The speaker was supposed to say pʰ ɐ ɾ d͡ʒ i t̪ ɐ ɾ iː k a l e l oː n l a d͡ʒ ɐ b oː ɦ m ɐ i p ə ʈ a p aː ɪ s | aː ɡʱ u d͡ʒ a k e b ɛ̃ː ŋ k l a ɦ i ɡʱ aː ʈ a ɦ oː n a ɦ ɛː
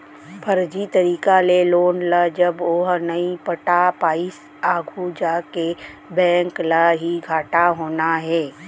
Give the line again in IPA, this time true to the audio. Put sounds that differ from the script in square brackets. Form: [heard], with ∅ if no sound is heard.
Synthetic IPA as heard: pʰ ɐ ɾ d͡ʒ i t̪ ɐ ɾ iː k a l e l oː n l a d͡ʒ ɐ b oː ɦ [n] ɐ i p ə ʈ a p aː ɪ s | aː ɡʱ u d͡ʒ a k e b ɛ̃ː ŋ k l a ɦ i ɡʱ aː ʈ a ɦ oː n a ɦ ɛː